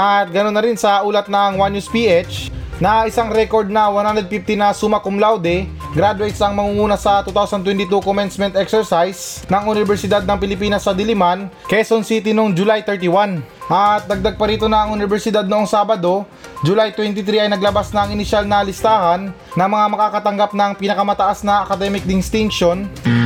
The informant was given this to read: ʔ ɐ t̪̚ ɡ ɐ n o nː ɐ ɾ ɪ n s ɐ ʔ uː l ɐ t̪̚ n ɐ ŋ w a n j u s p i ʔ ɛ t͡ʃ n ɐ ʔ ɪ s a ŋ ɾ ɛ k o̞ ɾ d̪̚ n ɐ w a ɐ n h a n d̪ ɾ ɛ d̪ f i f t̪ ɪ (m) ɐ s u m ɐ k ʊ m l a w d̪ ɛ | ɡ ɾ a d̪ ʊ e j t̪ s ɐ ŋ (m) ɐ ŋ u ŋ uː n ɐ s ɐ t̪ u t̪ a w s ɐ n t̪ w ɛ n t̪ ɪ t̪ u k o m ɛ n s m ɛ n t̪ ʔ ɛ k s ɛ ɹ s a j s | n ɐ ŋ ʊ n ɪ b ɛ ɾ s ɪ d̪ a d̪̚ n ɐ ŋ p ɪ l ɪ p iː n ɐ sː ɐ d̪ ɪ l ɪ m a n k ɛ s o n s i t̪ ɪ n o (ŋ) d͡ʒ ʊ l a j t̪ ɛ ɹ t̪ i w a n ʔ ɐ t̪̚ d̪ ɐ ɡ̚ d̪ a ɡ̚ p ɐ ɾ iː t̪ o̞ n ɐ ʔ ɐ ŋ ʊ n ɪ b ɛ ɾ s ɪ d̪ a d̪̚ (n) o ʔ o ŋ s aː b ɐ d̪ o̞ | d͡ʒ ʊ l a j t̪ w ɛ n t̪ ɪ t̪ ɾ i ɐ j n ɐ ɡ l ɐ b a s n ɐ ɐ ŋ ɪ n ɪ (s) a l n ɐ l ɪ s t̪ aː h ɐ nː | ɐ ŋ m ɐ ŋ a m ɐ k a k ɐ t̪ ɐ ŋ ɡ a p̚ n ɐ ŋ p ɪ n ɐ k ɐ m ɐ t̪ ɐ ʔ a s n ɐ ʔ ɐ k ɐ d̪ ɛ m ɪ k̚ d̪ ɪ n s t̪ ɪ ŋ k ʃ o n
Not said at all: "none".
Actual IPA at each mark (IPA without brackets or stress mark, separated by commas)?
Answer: n, m, ŋ, n, ʃ